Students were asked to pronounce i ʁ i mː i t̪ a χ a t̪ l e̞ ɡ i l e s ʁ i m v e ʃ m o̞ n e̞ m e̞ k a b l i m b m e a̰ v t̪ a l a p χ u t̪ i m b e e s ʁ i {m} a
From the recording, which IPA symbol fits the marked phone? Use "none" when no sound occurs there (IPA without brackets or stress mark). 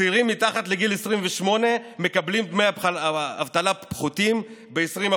m